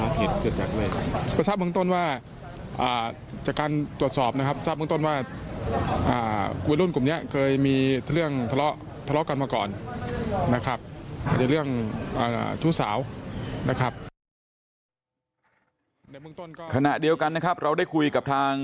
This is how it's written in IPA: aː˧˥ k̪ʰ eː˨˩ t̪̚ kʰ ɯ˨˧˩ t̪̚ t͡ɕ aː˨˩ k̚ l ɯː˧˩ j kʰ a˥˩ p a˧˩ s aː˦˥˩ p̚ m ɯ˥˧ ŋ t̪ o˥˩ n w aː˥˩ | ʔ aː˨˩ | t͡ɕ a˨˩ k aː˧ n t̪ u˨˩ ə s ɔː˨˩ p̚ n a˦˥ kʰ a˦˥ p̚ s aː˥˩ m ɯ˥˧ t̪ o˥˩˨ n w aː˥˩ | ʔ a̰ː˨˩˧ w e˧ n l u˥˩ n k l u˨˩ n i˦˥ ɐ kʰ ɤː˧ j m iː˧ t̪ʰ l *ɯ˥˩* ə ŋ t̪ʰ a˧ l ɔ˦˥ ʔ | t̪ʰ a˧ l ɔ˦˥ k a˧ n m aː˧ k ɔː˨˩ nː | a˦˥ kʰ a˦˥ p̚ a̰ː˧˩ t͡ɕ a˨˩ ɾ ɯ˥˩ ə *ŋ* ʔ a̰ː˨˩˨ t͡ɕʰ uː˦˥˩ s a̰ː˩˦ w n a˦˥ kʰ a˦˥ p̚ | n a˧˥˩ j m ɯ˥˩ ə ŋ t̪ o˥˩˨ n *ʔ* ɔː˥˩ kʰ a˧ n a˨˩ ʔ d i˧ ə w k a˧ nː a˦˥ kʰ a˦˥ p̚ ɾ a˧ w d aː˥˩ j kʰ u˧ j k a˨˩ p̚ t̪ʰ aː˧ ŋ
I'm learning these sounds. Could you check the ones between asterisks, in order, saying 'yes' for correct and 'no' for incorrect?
yes, yes, no

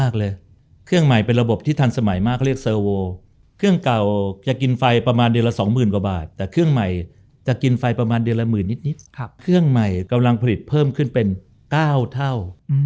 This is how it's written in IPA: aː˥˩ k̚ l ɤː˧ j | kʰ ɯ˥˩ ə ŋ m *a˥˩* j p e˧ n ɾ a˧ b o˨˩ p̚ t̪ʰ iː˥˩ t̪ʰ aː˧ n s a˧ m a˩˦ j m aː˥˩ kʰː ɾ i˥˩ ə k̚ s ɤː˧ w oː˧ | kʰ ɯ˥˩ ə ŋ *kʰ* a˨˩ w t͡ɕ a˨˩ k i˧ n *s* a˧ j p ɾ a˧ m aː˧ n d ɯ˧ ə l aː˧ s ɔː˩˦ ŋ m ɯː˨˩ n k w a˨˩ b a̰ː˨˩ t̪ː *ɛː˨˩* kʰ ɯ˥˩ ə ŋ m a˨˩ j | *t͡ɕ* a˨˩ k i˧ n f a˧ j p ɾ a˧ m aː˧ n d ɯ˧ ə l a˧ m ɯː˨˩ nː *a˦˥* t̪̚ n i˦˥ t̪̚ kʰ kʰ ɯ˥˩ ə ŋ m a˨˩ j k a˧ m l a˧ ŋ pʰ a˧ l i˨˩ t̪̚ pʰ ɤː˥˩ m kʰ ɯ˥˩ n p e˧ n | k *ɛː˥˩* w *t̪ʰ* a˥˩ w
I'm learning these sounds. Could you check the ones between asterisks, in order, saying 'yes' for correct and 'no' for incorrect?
no, no, no, yes, yes, no, no, yes

